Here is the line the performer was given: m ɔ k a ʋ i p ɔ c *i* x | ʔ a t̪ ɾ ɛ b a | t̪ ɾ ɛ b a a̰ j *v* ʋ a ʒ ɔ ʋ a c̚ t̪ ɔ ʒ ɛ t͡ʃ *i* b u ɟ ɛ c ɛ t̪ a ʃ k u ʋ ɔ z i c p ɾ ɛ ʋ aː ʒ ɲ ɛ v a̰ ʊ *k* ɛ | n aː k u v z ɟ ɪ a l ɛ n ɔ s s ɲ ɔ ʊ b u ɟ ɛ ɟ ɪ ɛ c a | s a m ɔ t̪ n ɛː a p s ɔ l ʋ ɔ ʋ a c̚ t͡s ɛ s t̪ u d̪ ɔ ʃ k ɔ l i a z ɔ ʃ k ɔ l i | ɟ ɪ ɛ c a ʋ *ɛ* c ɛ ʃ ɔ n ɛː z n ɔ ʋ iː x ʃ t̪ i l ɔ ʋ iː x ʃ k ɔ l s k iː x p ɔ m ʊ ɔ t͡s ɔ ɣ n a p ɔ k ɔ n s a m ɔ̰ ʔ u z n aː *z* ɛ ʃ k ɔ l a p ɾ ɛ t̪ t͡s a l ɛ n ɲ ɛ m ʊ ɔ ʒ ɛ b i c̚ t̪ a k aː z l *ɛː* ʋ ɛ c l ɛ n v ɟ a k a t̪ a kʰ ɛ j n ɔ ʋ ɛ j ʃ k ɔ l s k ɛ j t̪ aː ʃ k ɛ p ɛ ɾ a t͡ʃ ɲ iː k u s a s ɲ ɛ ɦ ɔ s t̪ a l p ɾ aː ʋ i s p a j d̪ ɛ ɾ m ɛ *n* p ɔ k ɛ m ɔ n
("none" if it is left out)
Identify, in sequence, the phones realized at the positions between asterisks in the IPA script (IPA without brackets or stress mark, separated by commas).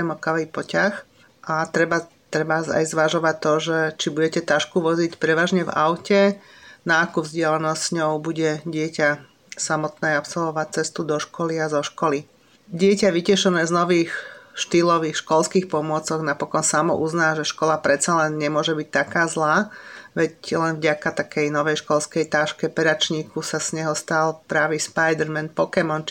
a, z, i, c, i, ʒ, aː, n